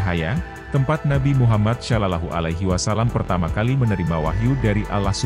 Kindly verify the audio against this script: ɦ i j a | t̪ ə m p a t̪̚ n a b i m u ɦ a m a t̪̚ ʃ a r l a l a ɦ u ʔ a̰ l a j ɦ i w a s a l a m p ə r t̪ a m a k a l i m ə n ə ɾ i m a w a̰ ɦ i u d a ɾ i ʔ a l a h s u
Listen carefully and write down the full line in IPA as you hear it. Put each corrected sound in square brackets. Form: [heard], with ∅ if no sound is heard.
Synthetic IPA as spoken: ɦ [a] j a | t̪ ə m p a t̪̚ n a b i m u ɦ a m a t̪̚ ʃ a [∅] l a l a ɦ u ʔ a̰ l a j ɦ i w a s a l a m p ə r t̪ a m a k a l i m ə n ə ɾ i m a w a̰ ɦ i u d a ɾ i ʔ a l a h s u